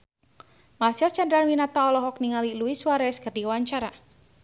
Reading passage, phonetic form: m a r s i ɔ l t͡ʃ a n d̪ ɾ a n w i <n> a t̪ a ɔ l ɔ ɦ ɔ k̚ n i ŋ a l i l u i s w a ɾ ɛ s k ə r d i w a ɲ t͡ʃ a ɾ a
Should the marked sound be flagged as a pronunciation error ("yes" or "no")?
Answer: no